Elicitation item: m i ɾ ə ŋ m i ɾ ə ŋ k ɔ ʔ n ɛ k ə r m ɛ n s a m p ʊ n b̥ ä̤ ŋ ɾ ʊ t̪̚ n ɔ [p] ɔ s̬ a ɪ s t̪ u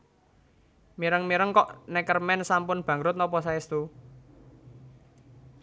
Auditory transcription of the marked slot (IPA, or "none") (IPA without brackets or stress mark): p